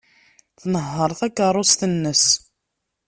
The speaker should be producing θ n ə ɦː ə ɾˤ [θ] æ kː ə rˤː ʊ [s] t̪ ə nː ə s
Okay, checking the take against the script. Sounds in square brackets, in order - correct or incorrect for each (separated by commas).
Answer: correct, correct